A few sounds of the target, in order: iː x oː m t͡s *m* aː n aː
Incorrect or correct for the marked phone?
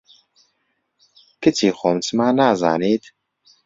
correct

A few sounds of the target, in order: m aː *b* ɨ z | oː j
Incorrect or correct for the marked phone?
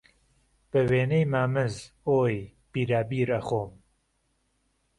incorrect: m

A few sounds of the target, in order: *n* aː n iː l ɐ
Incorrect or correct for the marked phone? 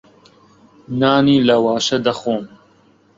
correct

